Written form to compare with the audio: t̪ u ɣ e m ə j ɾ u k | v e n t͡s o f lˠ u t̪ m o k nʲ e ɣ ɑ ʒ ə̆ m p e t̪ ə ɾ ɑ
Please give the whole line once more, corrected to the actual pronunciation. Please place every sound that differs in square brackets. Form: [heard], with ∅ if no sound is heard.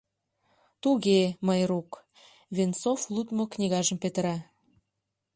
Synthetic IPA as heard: t̪ u ɣ e m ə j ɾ u k | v e n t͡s o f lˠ u t̪ m o k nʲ [i] ɣ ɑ ʒ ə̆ m p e t̪ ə ɾ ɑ